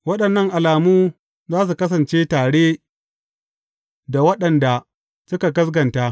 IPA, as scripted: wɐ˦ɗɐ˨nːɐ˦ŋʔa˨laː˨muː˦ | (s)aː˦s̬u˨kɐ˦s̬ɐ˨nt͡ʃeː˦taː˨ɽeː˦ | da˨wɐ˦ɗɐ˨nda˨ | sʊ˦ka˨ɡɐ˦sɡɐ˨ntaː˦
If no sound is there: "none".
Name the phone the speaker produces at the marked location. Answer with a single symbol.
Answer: z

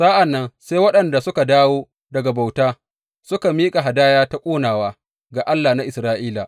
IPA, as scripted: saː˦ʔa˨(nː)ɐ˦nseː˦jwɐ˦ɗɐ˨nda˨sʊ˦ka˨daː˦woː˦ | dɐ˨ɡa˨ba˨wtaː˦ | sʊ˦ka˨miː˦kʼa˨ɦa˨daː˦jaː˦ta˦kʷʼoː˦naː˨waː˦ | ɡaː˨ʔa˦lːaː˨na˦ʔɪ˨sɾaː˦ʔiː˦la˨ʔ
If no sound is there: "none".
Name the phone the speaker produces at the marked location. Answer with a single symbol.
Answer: nː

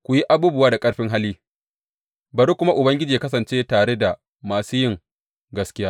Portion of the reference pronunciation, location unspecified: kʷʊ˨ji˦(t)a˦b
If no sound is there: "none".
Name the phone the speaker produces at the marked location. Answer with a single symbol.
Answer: ʔ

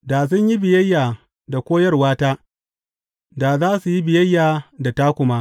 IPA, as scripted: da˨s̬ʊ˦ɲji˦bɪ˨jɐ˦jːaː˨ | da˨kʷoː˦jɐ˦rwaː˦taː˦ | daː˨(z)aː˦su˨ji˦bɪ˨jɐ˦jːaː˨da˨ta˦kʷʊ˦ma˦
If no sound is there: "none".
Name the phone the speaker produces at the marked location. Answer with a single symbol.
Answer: z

